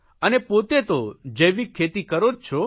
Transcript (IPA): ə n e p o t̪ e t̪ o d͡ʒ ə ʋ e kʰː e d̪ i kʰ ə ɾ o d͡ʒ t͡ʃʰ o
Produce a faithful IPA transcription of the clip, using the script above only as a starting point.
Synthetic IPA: ə n e p o t̪ e t̪ o d͡ʒ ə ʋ i kʰː e t̪ i k ə ɾ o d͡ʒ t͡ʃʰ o